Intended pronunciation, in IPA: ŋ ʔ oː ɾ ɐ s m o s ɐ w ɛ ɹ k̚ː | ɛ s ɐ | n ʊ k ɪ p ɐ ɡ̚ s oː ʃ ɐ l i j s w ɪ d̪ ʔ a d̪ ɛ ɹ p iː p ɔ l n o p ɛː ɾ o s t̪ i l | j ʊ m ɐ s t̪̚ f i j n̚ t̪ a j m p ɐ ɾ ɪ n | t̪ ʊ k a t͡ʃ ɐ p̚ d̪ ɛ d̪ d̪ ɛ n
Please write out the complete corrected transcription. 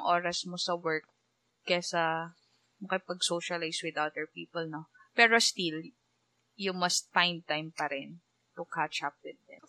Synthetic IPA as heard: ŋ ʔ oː ɾ ɐ s m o s ɐ w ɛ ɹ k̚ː | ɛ s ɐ | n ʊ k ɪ p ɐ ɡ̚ s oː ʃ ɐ l a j s w ɪ d̪ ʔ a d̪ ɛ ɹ p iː p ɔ l n o p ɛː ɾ o s t̪ i l | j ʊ m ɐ s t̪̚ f a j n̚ t̪ a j m p ɐ ɾ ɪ n | t̪ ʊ k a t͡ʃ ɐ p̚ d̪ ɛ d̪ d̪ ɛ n